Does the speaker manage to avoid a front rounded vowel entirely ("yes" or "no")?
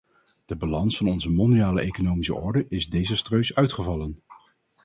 no